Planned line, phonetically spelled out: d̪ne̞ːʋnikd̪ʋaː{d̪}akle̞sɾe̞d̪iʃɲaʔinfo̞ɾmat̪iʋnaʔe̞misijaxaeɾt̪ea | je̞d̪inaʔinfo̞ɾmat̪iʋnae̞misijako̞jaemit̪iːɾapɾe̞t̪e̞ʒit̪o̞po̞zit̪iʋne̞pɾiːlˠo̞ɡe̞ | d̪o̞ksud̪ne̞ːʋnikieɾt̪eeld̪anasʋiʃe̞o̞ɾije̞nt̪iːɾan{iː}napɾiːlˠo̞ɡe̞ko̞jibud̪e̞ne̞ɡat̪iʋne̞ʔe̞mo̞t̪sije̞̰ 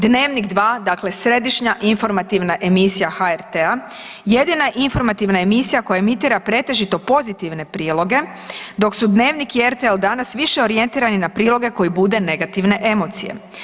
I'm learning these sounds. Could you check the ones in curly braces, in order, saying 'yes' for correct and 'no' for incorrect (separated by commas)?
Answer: yes, no